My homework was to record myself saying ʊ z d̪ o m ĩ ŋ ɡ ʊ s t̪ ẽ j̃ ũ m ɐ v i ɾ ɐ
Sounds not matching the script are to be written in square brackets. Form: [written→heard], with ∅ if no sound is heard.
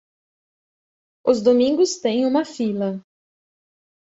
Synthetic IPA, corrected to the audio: ʊ z d̪ o m ĩ ŋ ɡ ʊ s t̪ ẽ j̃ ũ m ɐ [v→f] i [ɾ→l] ɐ